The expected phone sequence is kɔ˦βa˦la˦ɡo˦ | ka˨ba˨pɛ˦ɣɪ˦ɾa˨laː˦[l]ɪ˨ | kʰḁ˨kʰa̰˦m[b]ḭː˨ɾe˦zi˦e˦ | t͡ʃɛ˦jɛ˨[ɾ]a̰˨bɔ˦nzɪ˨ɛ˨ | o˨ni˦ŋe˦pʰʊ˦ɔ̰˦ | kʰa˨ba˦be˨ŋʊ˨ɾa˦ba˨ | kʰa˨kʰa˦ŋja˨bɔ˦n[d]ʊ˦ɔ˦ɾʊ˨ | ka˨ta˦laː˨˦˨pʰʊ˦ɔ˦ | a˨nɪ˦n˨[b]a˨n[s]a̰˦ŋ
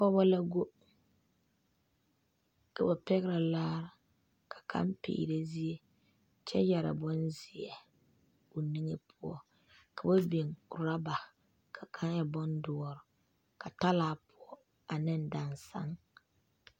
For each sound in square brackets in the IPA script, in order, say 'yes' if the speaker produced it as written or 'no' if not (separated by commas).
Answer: no, no, yes, yes, no, yes